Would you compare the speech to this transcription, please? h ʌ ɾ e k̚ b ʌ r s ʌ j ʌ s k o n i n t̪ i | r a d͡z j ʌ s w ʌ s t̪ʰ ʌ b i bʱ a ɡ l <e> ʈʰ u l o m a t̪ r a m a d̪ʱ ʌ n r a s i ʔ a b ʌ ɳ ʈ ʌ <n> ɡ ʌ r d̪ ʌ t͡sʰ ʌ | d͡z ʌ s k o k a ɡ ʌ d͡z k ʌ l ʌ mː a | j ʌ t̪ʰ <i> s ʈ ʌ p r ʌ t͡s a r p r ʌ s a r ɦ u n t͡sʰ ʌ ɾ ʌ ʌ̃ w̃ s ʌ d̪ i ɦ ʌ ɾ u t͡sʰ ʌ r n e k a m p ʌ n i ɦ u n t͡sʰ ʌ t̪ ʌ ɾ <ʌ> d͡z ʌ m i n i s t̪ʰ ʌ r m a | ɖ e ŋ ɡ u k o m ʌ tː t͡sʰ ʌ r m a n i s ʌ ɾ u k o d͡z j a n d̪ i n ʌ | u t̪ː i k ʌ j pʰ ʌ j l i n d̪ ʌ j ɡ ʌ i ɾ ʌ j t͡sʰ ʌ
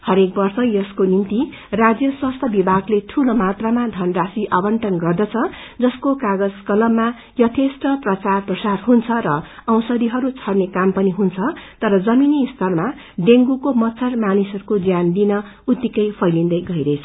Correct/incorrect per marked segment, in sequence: correct, correct, incorrect: e, correct

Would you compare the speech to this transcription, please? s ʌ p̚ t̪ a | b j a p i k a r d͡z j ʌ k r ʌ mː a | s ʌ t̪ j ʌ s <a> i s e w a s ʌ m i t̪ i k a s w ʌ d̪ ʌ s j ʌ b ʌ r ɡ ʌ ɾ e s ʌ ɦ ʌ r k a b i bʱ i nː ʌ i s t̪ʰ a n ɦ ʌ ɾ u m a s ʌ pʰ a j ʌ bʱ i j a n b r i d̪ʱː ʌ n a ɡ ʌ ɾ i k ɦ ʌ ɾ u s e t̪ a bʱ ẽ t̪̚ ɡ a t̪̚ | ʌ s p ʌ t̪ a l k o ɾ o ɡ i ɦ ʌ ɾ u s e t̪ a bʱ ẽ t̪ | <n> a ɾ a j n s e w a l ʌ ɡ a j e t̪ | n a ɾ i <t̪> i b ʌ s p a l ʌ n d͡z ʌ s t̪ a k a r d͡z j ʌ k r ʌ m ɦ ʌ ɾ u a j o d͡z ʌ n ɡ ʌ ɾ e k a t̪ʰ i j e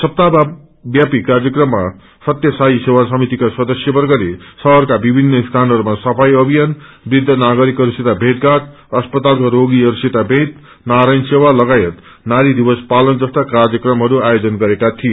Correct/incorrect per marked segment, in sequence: correct, correct, incorrect: d̪

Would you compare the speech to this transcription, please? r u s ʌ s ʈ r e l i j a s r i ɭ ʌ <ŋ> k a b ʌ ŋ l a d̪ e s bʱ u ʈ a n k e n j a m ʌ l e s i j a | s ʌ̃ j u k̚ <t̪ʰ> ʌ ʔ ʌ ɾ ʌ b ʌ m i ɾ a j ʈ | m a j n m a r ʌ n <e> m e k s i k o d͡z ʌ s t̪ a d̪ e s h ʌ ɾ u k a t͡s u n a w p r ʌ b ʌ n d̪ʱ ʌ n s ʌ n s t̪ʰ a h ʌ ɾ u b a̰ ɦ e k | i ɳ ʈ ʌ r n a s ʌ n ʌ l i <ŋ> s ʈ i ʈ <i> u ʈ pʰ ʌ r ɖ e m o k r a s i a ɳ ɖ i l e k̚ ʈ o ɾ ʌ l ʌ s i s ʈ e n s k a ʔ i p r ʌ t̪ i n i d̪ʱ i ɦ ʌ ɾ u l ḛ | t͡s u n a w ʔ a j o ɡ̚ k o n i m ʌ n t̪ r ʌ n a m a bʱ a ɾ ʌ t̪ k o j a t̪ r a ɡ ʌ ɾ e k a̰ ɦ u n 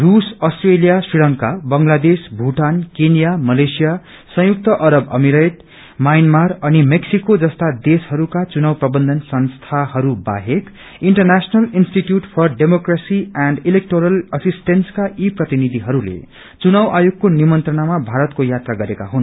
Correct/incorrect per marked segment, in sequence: correct, incorrect: t̪, incorrect: i, incorrect: n, incorrect: j

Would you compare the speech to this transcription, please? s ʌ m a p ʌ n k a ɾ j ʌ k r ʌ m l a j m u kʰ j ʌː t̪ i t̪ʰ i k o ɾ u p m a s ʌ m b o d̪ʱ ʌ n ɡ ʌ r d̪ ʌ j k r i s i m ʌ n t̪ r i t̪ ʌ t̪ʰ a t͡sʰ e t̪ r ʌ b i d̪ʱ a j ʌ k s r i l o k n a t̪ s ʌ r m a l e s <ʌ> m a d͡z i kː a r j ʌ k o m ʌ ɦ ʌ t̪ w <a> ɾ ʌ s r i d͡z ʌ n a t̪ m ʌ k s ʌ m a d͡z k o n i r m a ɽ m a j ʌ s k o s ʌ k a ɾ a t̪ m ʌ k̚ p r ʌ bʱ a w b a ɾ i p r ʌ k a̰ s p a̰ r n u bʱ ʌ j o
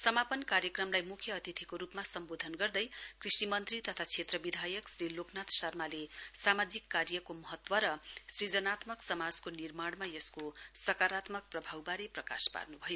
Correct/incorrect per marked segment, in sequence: incorrect: a, incorrect: ʌ

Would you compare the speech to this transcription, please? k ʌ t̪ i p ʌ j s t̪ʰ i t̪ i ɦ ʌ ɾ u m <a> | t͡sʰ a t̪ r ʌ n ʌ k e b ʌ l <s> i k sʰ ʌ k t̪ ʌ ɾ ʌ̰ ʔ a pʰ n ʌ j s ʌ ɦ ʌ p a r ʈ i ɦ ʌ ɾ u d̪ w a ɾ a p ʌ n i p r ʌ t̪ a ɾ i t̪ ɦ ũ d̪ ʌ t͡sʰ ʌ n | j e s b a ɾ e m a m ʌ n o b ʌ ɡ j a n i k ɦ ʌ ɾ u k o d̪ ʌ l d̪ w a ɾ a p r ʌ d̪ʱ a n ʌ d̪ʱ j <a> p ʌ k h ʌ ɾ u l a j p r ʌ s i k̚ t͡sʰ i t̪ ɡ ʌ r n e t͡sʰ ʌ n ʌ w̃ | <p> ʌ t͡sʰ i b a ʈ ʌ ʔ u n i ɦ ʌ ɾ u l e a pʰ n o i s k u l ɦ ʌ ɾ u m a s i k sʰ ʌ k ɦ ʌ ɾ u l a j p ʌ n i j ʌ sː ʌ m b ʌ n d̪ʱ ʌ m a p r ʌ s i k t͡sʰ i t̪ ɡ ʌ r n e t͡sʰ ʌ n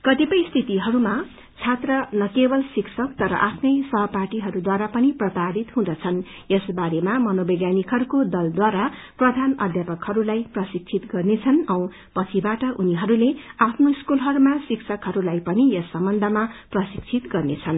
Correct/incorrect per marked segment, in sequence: correct, correct, correct, correct

